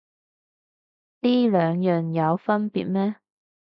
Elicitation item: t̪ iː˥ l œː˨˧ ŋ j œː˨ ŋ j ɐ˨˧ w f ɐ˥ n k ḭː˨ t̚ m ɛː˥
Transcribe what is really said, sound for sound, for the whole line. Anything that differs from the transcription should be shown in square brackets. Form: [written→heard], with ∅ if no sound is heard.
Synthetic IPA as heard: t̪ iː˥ l œː˨˧ ŋ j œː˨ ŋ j ɐ˨˧ w f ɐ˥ n [k→p] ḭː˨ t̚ m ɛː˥